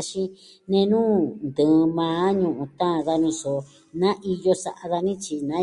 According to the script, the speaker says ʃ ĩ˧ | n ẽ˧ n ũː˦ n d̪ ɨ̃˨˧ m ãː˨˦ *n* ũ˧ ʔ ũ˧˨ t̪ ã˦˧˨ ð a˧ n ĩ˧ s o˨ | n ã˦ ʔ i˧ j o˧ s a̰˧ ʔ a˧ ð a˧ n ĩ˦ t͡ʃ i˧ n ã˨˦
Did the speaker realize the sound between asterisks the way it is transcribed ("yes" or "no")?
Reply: no